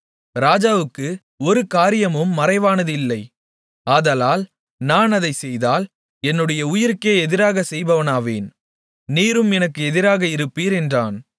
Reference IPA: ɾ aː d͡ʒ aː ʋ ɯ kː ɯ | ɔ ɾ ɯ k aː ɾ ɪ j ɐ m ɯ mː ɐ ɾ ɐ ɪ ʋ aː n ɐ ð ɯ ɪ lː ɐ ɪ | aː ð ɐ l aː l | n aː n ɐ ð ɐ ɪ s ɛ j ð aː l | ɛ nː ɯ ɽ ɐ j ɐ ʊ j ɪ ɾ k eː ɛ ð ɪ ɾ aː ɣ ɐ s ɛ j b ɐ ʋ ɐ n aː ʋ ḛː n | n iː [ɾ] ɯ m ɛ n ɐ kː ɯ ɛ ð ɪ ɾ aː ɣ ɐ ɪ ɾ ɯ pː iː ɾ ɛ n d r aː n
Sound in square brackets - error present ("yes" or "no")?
no